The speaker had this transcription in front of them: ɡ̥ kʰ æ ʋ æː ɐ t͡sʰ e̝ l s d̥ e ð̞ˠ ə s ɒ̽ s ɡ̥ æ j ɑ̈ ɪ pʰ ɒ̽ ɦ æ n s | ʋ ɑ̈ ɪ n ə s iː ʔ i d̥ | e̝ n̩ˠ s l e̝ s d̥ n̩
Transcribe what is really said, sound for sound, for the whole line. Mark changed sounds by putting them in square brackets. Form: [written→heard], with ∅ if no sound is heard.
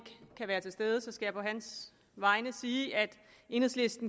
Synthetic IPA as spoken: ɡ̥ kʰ æ ʋ æː ɐ t͡sʰ e̝ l s d̥ e ð̞ˠ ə s ɒ̽ s ɡ̥ æ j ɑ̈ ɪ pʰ ɒ̽ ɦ æ n s | ʋ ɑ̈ ɪ n ə s iː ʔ [i→æ] d̥ | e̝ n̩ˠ s l e̝ s d̥ n̩